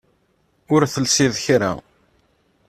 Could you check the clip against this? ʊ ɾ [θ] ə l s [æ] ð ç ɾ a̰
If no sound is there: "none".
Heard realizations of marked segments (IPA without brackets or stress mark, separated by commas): θ, i